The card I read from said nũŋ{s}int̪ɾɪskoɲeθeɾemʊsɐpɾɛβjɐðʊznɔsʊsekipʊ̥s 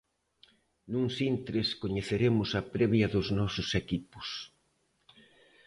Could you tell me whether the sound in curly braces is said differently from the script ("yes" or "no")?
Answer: no